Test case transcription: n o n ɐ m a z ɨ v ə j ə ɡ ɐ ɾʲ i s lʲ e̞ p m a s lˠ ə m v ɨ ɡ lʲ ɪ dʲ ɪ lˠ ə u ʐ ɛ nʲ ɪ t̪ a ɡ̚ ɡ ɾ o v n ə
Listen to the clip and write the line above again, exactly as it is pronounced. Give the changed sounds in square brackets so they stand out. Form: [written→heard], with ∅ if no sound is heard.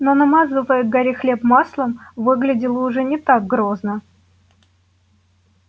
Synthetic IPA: n o n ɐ m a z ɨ v ə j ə ɡ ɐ ɾʲ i [s→x] lʲ e̞ p m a s lˠ ə m v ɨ ɡ lʲ ɪ dʲ ɪ lˠ ə [u→ʊ] ʐ ɛ nʲ ɪ t̪ a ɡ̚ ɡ ɾ o [v→z] n ə